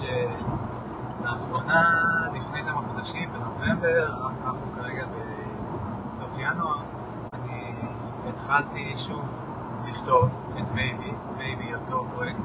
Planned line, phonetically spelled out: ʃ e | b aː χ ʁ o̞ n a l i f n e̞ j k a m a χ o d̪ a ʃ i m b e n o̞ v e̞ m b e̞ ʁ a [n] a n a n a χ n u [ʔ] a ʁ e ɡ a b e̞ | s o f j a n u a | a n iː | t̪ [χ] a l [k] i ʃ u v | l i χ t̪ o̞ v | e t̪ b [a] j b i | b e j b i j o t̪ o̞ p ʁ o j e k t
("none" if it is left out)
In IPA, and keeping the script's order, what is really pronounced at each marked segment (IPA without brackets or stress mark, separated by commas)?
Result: n, k, χ, t, e